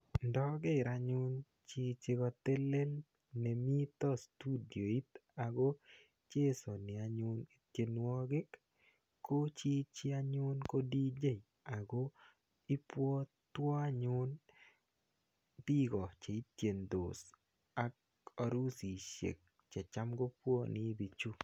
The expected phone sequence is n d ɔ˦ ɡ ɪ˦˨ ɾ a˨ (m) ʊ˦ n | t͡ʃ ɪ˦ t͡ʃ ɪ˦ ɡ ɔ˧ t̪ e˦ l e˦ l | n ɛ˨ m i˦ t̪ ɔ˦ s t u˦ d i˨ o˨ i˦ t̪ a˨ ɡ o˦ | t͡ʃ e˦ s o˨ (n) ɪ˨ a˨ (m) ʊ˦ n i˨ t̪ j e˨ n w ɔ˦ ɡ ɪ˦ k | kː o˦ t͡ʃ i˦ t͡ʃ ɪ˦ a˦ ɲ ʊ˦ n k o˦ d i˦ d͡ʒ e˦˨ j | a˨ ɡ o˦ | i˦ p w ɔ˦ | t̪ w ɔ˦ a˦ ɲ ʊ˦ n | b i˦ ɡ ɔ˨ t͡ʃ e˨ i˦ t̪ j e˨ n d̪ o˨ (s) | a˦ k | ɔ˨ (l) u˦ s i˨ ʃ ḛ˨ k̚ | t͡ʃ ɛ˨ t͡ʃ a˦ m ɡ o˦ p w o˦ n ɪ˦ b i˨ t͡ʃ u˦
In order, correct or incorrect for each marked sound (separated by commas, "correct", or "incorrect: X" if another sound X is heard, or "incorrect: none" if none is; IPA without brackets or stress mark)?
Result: incorrect: ɲ, correct, incorrect: ɲ, correct, incorrect: ɾ